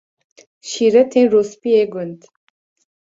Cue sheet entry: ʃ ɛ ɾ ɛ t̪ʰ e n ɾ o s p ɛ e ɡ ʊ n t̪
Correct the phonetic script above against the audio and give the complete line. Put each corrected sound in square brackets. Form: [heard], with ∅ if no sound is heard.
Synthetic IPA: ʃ [i] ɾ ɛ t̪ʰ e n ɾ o s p [i] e ɡ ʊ n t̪